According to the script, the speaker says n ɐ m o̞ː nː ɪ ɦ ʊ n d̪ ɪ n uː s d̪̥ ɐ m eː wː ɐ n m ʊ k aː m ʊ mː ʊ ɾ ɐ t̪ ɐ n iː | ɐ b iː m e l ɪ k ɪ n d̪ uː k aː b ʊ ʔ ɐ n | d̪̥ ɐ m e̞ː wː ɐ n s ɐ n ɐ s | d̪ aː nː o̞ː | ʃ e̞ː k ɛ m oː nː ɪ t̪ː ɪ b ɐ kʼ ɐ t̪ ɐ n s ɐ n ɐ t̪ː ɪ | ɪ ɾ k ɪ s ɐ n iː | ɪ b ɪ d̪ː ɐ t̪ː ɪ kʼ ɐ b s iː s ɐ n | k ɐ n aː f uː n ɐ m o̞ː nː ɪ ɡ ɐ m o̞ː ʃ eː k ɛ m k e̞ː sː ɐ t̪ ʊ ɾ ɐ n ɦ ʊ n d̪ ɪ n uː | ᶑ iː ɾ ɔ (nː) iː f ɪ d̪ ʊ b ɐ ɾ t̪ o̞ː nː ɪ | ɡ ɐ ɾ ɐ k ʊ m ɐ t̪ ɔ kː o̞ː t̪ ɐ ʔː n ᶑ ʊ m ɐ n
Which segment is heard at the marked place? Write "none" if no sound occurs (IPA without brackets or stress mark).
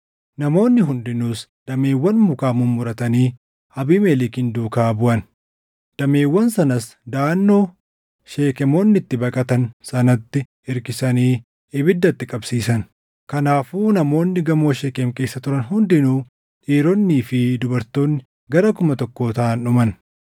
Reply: nː